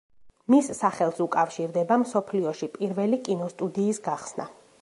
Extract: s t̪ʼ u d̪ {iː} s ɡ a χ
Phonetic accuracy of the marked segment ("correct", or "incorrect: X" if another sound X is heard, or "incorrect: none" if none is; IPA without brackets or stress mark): correct